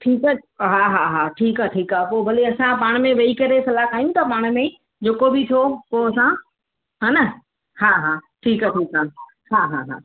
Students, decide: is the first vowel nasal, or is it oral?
oral